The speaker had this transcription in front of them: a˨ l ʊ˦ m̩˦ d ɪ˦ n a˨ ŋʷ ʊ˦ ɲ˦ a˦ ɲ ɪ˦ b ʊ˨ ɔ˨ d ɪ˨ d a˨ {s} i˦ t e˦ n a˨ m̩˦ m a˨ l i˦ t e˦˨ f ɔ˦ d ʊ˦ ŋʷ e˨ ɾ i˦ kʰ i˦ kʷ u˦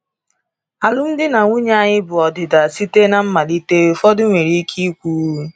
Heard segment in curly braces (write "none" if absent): s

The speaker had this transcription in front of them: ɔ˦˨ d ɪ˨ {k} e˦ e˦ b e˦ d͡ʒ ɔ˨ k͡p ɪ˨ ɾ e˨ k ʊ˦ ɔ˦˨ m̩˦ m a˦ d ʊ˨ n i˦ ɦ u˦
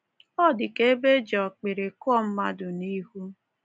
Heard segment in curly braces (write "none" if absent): k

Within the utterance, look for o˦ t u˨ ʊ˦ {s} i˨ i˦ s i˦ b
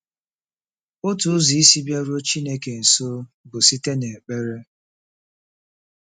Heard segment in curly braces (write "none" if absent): z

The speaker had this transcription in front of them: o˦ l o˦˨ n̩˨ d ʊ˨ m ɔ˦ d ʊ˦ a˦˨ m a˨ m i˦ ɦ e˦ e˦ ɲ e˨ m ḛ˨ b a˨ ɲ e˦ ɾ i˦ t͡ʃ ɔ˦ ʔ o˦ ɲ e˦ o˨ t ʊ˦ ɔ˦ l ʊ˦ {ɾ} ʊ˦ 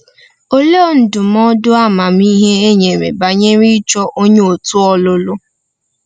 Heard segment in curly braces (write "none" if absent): l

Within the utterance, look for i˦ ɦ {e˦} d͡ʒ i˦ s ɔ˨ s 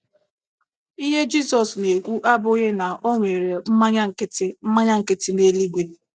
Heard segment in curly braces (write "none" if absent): e˦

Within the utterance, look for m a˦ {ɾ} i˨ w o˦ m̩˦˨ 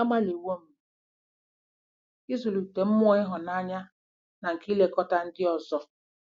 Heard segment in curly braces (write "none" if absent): l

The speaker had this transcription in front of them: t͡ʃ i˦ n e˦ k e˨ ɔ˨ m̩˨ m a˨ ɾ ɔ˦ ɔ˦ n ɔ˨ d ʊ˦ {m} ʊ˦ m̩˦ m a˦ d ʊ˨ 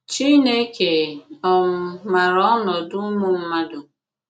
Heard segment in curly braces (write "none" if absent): m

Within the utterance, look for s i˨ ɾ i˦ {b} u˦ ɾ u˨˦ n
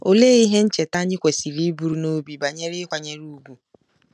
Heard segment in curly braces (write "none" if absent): b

